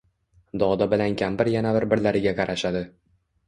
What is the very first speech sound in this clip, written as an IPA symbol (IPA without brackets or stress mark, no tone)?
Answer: d̪